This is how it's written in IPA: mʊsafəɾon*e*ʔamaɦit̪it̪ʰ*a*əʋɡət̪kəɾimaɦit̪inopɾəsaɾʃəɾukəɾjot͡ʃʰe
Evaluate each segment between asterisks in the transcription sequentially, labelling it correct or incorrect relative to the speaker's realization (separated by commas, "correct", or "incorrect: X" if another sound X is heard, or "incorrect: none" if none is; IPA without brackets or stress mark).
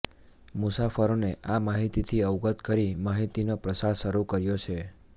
correct, incorrect: i